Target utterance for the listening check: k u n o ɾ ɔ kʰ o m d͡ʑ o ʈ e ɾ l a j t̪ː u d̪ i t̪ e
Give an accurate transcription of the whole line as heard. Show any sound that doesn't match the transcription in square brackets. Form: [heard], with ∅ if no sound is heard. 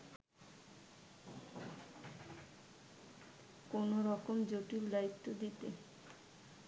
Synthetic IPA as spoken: k [o] n o ɾ ɔ [k] o m d͡ʑ o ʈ [i] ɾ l a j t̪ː [o] d̪ i t̪ e